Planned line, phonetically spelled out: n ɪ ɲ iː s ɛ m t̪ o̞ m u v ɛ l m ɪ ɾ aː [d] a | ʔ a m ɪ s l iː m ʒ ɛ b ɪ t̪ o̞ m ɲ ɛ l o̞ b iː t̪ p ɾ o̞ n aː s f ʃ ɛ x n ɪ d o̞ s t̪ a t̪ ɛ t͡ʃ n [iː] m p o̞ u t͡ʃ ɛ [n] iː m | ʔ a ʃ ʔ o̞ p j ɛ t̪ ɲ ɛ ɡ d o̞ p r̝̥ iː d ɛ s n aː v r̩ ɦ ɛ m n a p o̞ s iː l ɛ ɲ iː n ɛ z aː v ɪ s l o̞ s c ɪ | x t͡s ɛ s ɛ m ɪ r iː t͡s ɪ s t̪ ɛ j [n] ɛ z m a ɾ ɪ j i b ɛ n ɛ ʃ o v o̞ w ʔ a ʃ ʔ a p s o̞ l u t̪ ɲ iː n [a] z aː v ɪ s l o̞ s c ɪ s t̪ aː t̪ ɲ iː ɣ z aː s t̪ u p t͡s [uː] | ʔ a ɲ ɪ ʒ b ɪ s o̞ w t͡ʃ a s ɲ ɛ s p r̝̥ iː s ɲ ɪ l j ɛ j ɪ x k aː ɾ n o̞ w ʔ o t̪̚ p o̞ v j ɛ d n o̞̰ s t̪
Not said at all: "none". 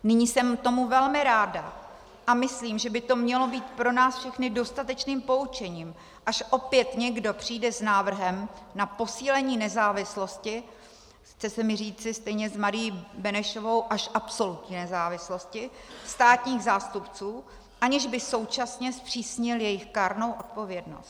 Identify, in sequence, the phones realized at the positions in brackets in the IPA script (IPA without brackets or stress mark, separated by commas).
d, iː, ɲ, ɲ, ɛ, uː